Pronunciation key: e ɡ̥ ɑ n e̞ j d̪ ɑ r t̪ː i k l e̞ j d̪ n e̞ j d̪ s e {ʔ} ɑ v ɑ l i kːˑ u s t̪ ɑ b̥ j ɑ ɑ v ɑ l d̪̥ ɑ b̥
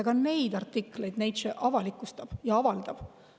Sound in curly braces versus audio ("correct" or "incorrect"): correct